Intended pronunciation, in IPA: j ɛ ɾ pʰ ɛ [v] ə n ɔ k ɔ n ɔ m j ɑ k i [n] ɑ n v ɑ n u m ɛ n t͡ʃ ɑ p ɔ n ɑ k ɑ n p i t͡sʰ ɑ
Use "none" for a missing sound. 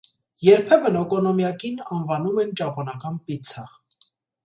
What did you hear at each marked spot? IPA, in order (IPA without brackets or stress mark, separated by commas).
v, n